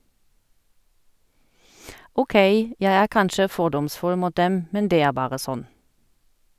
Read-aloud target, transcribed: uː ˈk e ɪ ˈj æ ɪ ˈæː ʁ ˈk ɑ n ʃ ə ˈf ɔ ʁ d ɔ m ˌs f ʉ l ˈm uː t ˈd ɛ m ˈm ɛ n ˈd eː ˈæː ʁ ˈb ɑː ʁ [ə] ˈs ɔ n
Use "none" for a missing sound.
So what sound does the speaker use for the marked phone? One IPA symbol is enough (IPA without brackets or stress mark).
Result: ə